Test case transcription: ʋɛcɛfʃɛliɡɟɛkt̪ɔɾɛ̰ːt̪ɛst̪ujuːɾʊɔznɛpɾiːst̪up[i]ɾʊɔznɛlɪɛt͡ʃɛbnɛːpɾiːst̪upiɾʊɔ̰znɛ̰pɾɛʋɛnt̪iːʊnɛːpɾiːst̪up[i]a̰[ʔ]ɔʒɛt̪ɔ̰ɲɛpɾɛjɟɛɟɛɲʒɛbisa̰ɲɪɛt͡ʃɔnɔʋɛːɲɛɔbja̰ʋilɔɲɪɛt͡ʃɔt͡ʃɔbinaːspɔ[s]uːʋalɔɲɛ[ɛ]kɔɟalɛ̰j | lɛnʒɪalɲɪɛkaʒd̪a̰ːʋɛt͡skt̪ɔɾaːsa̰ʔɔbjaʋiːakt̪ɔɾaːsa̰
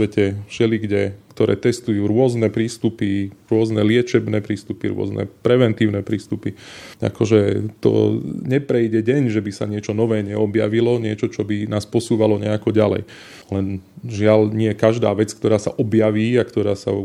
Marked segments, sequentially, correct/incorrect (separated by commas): correct, correct, incorrect, correct, incorrect